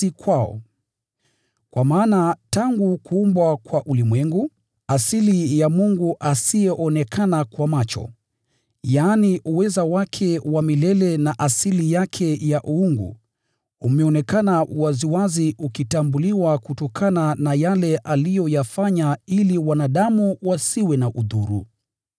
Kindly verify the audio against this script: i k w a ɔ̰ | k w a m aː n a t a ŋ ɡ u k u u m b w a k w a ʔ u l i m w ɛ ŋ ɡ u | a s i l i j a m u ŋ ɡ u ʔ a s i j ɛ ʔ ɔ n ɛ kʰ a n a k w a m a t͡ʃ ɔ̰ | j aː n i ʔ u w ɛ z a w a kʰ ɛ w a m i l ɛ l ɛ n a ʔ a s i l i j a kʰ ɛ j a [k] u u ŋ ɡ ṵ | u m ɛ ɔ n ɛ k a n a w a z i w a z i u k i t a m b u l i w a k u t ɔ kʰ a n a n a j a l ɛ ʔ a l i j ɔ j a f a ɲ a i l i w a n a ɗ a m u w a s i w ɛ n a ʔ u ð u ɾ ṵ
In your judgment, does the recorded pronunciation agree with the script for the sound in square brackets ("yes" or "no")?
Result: no